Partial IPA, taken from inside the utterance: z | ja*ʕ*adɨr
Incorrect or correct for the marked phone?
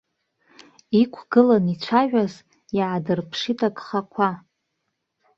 correct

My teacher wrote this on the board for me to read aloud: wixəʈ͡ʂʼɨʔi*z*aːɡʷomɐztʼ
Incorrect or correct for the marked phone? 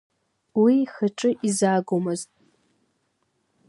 correct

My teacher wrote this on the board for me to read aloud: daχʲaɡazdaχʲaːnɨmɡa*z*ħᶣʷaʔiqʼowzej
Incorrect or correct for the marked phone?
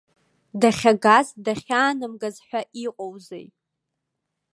correct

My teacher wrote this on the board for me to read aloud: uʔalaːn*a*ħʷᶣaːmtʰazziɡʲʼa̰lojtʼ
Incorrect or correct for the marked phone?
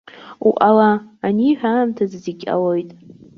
incorrect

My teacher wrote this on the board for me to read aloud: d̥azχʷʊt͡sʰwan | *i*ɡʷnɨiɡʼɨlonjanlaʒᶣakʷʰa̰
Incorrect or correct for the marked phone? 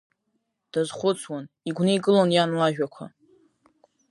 correct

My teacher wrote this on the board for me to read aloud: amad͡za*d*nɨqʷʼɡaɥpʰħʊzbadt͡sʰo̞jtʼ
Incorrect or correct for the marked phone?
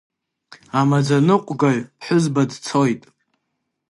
incorrect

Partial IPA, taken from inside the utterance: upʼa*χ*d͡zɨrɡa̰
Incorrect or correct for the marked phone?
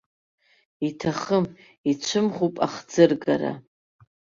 correct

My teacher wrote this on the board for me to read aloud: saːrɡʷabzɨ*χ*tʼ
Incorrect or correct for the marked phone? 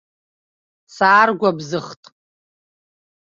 correct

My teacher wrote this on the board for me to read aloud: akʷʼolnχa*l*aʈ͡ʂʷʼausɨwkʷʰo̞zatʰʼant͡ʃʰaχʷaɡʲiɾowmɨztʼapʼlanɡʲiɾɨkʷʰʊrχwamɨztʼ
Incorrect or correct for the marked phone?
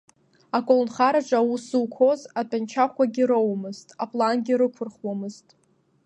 incorrect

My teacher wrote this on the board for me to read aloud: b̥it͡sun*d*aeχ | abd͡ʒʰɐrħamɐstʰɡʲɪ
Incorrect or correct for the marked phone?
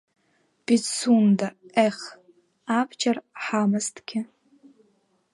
correct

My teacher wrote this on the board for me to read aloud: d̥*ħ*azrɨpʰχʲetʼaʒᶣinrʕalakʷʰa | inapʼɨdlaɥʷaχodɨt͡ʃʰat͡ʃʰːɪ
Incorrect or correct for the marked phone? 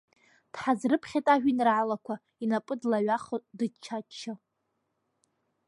correct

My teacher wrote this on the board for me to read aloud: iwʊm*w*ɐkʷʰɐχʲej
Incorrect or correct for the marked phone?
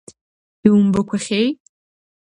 incorrect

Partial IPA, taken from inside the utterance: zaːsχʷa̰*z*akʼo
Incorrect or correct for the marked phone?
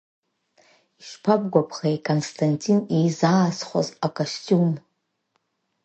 correct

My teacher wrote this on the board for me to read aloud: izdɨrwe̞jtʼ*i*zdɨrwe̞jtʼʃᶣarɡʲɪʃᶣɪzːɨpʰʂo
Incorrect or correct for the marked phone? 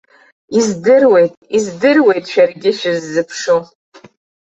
correct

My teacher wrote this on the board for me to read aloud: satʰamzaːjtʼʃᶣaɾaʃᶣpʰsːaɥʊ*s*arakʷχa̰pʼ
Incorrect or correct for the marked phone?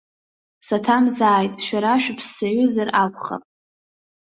incorrect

